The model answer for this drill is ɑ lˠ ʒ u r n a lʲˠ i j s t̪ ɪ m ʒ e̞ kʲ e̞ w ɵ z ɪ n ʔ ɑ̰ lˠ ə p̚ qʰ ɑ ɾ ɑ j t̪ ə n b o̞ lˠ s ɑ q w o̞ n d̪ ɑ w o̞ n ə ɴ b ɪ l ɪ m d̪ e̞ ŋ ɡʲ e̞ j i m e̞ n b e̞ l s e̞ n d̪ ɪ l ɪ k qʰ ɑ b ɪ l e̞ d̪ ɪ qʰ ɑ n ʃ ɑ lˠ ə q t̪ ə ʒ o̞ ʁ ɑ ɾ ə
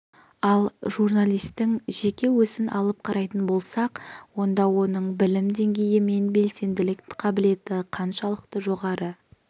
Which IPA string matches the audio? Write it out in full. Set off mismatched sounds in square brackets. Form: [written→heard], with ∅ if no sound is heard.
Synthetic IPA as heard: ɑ lˠ ʒ u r n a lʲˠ i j s t̪ ɪ [m→ŋ] ʒ e̞ kʲ e̞ w ɵ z ɪ n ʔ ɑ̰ lˠ ə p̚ qʰ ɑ ɾ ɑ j t̪ ə n b o̞ lˠ s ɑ q w o̞ n d̪ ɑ w o̞ n ə ɴ b ɪ l ɪ m d̪ e̞ ŋ ɡʲ e̞ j [i→ɪ] m e̞ n b e̞ l s e̞ n d̪ ɪ l ɪ k qʰ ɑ b ɪ l e̞ [d̪→t̪] ɪ qʰ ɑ n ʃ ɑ lˠ ə q t̪ ə ʒ o̞ ʁ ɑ ɾ ə